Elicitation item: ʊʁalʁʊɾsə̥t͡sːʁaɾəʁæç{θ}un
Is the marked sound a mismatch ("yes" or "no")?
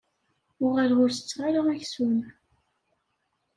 yes